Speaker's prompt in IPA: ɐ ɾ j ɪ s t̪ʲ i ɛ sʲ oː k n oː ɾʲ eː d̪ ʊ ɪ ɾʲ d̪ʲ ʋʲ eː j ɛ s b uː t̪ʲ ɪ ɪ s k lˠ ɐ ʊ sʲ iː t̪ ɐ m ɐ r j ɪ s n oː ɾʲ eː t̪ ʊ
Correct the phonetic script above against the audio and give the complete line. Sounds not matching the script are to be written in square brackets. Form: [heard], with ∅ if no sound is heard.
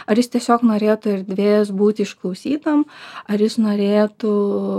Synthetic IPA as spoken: ɐ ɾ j ɪ s t̪ʲ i ɛ sʲ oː k n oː ɾʲ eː [t̪] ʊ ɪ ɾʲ d̪ʲ ʋʲ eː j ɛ s b uː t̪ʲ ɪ ɪ [ʃ] k lˠ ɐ ʊ sʲ iː t̪ ɐ m ɐ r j ɪ s n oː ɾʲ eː t̪ ʊ